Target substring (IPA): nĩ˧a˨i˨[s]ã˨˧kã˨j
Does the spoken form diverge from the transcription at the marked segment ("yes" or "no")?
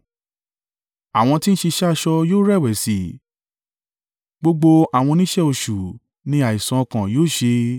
no